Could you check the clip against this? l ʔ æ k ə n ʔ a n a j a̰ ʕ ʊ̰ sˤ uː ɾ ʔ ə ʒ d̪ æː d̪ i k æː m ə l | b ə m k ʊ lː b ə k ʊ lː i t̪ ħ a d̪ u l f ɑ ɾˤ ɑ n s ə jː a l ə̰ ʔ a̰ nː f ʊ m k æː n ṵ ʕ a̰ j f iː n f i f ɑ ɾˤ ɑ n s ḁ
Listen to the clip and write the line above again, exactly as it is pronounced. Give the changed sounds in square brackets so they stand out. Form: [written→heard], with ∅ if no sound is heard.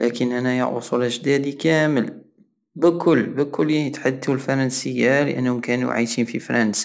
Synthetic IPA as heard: l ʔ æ k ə n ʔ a n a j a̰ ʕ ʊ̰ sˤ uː [ɾ→l] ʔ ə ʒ d̪ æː d̪ i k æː m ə l | b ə [m→∅] k ʊ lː b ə k ʊ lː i t̪ ħ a d̪ u l f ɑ ɾˤ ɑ n s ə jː a l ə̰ ʔ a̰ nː [f→h] ʊ m k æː n ṵ ʕ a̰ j [f→ʃ] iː n f i f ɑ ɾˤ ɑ n s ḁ